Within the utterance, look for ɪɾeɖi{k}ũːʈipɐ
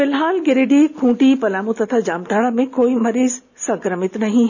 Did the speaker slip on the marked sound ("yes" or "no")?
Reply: yes